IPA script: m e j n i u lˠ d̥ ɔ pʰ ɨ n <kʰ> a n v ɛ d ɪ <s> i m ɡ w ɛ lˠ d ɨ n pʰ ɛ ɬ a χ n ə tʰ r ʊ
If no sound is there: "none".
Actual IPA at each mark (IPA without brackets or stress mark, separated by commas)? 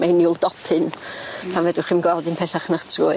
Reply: pʰ, χ